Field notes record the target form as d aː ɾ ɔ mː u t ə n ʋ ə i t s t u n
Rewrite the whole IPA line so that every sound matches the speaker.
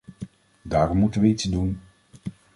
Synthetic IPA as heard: d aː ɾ ɔ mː u t ə n ʋ ə i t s d u n